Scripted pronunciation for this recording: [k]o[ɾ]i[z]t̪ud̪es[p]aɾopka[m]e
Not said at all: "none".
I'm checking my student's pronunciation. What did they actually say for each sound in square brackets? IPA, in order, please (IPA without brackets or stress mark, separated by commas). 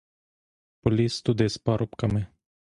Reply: p, l, s, p, m